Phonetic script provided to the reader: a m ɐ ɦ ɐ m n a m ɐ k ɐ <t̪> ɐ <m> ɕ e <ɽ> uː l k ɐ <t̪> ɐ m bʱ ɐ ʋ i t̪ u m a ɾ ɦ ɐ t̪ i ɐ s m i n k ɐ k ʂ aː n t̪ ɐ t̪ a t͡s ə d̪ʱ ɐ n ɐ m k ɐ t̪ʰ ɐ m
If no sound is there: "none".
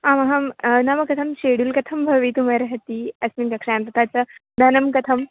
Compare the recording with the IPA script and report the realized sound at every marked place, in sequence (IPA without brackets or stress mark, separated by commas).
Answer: t̪ʰ, m, ɽ, t̪ʰ